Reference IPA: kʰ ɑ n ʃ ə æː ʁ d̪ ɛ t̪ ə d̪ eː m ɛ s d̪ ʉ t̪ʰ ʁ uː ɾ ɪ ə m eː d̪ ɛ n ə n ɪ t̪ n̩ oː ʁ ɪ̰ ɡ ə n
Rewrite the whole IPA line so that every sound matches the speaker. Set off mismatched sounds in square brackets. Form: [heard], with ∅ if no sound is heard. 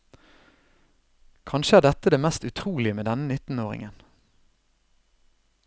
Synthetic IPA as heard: kʰ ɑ n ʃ ə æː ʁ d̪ ɛ t̪ ə d̪ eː m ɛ s [t̪] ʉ t̪ʰ ʁ uː [l] ɪ ə m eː d̪ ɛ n ə n ɪ t̪ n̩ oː ʁ ɪ̰ [ŋ] ə n